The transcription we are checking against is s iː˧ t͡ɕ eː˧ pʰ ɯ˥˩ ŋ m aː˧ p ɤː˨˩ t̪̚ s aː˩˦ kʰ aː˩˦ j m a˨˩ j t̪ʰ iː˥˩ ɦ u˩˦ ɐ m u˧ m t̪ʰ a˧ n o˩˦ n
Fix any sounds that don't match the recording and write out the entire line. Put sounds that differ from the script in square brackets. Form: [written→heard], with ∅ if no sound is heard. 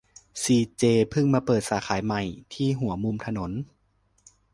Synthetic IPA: s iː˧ t͡ɕ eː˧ pʰ ɯ˥˩ ŋ m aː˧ p ɤː˨˩ t̪̚ s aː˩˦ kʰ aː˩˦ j m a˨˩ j t̪ʰ iː˥˩ ɦ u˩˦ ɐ m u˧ m t̪ʰ a˧ n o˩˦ n